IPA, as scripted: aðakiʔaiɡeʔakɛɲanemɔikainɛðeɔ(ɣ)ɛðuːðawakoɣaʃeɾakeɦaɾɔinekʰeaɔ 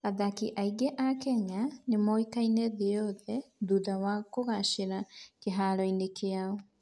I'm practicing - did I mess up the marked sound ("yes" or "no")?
yes